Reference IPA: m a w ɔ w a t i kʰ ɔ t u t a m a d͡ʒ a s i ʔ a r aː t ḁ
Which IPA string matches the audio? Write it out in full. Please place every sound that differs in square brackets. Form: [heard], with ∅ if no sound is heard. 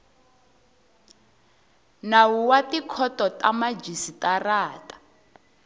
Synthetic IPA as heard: [n] a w [u] w a t i kʰ ɔ t [ɔ] t a m a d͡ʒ [i] s i [t] a r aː t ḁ